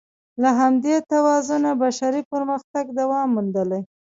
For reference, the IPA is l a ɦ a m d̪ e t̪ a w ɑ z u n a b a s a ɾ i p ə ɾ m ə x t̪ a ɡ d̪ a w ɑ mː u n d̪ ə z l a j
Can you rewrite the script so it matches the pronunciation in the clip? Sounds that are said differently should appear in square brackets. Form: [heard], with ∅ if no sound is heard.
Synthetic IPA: l a ɦ a m d̪ e t̪ a w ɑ z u n a b a [ʃ] a ɾ i p ə ɾ m ə x t̪ a ɡ d̪ a w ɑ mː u n d̪ ə [∅] l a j